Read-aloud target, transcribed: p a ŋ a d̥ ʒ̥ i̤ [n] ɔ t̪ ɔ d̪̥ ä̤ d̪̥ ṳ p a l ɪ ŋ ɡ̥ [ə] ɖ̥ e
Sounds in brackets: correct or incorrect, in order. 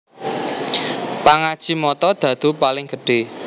incorrect, correct

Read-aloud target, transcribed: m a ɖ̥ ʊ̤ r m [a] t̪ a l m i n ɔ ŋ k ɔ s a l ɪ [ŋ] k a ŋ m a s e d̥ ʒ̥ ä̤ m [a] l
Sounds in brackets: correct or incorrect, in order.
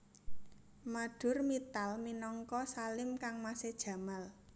incorrect, incorrect, correct

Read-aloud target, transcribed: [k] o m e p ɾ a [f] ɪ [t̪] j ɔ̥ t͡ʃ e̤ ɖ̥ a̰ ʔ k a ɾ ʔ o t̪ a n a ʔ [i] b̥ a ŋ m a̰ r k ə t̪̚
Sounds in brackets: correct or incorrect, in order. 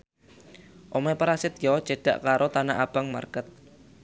incorrect, incorrect, correct, incorrect

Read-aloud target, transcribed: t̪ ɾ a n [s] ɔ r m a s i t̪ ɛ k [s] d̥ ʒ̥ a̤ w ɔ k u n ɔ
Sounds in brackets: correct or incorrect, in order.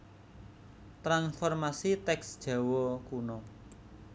incorrect, correct

